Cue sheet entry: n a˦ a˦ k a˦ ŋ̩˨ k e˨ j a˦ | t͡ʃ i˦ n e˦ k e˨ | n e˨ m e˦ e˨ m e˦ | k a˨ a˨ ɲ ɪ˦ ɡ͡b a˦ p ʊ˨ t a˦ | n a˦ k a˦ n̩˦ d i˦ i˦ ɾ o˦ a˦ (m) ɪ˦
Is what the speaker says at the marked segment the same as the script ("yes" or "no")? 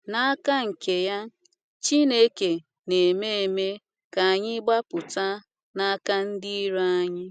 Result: no